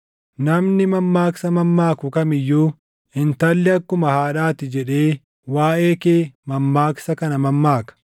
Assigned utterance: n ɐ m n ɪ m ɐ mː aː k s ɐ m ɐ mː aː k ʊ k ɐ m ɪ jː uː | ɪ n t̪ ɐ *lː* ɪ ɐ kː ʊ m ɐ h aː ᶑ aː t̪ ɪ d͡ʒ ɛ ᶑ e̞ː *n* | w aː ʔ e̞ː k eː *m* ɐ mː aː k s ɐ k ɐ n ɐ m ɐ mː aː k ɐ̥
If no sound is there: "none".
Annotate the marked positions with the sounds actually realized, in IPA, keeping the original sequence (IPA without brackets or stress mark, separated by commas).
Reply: lː, none, m